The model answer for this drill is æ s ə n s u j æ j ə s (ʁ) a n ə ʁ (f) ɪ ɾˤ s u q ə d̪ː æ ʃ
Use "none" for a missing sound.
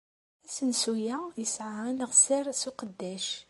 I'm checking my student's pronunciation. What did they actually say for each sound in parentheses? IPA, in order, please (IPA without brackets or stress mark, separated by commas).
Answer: ʕ, s